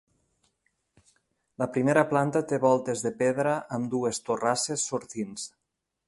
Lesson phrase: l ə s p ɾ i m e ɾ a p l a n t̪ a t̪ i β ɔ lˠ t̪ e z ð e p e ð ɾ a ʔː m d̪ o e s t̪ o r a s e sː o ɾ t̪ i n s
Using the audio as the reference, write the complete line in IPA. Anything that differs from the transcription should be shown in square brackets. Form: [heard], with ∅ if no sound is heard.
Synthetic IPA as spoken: l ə [∅] p ɾ i m e ɾ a p l a n t̪ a t̪ [e] β ɔ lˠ t̪ e z ð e p e ð ɾ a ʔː m d̪ [u] e s t̪ o r a s e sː o ɾ t̪ i n s